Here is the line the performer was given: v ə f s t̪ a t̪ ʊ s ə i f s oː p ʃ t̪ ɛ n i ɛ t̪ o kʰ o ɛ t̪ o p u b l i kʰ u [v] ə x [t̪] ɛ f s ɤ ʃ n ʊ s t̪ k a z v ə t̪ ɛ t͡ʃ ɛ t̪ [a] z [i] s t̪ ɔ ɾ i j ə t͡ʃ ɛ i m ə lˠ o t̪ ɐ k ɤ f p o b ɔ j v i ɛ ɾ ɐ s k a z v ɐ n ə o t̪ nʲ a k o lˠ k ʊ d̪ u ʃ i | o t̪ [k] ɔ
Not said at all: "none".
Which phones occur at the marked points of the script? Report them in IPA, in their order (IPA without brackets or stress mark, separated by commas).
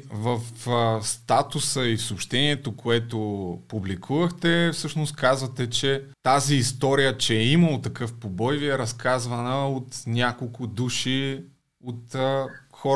v, t̪, a, iː, x